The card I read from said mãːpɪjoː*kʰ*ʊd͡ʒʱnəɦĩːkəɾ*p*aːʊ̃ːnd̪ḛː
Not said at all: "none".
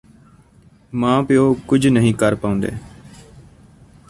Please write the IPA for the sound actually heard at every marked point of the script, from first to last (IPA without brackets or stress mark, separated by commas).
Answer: k, p